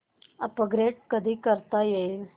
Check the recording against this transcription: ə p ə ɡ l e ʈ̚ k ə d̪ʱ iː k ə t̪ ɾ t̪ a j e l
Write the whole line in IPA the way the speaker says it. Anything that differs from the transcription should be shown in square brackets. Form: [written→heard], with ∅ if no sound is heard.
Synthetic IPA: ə p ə ɡ [l→ɾ] e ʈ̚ k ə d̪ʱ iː k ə [t̪→∅] ɾ t̪ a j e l